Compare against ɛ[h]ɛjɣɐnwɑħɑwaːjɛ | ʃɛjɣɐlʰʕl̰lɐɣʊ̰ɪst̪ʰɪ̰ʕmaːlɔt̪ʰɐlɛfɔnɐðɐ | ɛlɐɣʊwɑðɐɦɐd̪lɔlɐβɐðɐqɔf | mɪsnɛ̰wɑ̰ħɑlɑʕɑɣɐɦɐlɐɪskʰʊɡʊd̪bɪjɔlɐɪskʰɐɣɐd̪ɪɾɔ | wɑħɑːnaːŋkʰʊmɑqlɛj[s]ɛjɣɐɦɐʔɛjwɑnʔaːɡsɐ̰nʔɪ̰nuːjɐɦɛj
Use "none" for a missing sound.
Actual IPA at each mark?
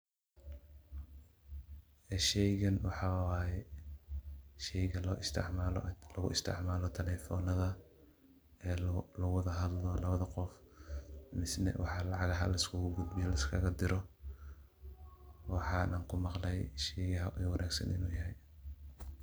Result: ʃ, ʃ

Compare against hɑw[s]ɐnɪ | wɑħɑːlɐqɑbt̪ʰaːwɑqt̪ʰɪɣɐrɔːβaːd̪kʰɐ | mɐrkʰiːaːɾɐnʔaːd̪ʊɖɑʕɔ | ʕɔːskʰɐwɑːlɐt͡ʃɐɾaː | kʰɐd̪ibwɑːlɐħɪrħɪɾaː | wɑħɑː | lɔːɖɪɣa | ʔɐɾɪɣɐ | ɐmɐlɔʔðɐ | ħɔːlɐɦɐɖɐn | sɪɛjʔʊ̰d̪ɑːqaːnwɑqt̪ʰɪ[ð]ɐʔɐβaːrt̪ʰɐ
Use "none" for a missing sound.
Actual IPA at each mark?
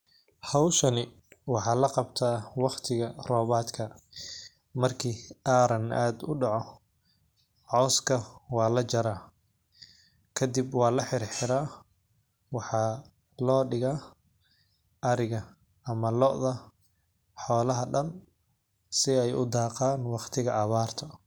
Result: ʃ, ɣ

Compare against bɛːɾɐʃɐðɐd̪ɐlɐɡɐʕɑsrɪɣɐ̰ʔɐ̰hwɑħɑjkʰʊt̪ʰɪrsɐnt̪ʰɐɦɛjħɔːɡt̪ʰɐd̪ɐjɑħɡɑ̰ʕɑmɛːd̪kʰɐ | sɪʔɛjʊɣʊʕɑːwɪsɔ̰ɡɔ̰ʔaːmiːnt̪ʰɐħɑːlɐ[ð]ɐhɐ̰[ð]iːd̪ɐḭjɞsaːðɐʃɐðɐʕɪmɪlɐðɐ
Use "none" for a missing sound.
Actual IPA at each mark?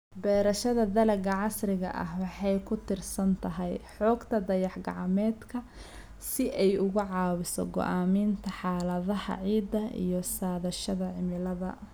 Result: ð, ʕ

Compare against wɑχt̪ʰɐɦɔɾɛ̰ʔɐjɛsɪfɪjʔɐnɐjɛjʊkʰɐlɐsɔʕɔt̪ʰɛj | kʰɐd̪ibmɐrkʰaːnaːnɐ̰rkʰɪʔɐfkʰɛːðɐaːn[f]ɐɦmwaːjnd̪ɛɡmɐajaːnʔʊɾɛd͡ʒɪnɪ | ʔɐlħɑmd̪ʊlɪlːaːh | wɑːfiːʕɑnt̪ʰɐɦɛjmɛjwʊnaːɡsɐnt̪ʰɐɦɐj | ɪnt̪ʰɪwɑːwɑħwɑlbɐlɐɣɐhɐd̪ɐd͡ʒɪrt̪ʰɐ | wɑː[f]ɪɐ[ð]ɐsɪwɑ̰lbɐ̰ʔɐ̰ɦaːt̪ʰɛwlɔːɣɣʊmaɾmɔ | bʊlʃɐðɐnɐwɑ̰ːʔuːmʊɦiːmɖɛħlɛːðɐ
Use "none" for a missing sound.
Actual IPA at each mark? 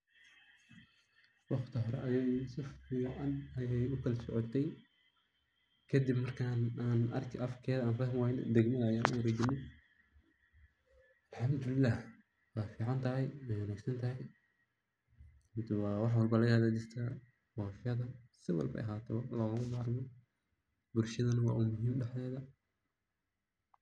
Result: f, f, ð

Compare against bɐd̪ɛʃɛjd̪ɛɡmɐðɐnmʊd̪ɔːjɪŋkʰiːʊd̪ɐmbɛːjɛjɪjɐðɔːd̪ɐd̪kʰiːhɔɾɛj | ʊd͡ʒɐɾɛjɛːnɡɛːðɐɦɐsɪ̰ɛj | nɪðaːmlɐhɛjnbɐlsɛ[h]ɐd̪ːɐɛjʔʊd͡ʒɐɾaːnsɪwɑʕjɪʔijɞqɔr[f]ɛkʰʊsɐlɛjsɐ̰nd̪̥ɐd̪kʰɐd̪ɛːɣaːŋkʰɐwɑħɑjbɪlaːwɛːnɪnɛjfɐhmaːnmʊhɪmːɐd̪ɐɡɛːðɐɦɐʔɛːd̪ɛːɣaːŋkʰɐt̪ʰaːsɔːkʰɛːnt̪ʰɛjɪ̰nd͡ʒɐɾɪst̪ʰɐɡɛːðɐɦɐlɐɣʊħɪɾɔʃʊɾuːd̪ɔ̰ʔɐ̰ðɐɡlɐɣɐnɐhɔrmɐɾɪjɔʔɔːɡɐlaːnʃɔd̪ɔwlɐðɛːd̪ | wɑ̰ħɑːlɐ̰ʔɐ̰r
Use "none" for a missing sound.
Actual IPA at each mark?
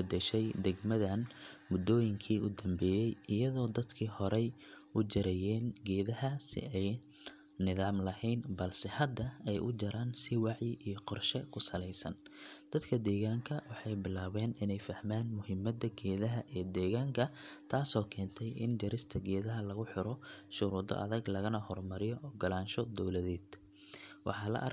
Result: h, ʃ

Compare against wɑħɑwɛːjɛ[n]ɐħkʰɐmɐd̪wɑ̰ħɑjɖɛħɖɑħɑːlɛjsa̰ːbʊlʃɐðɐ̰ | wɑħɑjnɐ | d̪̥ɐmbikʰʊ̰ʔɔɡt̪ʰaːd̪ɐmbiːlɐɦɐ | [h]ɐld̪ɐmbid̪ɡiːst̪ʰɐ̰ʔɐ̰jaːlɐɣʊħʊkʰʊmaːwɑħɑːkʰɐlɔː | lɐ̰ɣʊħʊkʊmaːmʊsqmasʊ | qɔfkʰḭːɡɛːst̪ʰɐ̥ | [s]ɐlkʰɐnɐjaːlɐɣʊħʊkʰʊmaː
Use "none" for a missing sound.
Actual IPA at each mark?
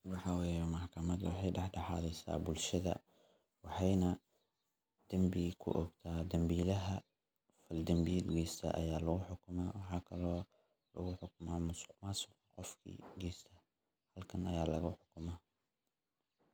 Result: m, f, h

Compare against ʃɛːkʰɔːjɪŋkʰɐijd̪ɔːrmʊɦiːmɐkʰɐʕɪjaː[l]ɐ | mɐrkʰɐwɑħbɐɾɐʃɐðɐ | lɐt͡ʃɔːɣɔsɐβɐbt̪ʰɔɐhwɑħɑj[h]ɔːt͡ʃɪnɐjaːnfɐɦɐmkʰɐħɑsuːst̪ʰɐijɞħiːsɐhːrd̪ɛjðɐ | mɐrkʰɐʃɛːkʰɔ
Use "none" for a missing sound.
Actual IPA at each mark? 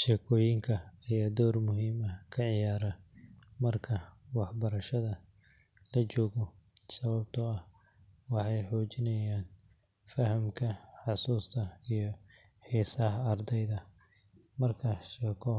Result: ɾ, ħ

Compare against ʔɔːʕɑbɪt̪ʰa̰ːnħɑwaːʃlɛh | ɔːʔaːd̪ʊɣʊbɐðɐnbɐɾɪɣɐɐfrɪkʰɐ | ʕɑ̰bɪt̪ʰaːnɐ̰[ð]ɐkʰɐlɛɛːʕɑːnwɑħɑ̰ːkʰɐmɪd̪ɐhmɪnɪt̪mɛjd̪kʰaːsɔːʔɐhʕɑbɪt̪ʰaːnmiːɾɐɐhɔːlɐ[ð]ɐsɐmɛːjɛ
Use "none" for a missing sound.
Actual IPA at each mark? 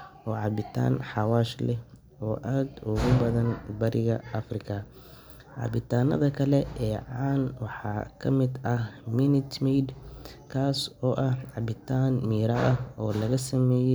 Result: ð, ɣ

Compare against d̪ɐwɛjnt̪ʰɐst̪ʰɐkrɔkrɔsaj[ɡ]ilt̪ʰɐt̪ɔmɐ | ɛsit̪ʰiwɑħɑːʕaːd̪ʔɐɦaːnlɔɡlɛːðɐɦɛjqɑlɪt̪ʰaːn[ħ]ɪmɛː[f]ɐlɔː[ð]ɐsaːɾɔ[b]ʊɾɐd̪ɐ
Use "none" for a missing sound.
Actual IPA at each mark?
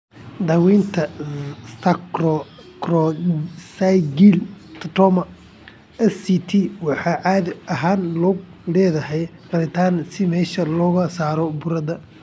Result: ɡ, s, ʃ, ɣ, b

